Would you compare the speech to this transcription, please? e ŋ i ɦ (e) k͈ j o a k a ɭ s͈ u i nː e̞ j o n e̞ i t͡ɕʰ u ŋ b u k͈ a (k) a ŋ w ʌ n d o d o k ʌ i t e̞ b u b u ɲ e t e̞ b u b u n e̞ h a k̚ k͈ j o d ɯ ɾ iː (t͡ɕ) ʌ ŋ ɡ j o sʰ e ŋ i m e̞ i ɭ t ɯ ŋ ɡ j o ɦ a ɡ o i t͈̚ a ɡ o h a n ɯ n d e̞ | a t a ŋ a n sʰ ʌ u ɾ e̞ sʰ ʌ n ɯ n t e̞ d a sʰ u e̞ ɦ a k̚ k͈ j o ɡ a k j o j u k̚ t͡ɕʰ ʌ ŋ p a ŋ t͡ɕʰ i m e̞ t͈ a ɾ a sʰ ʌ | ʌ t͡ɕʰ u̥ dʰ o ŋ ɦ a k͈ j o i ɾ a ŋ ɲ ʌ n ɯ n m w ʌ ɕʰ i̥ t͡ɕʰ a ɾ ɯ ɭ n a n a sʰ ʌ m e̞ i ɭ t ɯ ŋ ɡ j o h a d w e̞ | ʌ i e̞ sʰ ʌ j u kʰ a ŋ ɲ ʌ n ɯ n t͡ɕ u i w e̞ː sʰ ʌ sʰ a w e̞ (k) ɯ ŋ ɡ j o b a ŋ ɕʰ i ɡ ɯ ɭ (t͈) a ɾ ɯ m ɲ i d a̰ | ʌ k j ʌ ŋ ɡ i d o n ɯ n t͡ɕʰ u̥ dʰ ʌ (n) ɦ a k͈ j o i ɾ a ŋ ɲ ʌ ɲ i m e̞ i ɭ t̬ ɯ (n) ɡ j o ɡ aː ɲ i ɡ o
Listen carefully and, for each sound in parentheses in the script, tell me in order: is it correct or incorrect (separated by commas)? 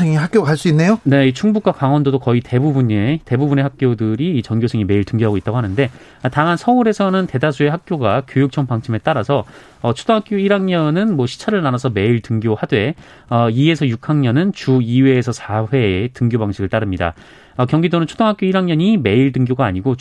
incorrect, correct, correct, incorrect, correct, incorrect, incorrect